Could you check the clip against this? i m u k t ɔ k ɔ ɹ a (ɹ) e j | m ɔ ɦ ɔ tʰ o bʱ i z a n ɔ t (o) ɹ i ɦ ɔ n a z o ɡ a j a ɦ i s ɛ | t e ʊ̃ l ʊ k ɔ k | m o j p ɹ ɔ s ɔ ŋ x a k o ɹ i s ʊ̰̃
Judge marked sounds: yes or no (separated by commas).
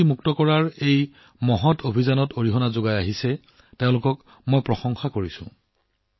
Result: yes, yes